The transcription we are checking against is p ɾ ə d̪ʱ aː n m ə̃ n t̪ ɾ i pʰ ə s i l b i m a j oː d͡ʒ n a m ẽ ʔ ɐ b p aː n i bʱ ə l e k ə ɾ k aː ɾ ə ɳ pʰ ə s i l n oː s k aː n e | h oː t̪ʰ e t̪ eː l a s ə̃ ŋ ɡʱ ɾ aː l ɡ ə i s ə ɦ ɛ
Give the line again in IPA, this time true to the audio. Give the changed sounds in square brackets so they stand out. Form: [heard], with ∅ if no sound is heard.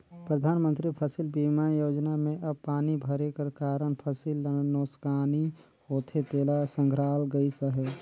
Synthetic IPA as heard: p ɾ ə d̪ʱ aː n m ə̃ n t̪ ɾ i pʰ ə s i l b i m a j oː d͡ʒ n a m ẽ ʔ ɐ b p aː n i bʱ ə [ɾ] e k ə ɾ k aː ɾ ə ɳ pʰ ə s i l n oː s k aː n [i] | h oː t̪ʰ e t̪ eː l a s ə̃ ŋ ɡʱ ɾ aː l ɡ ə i s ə ɦ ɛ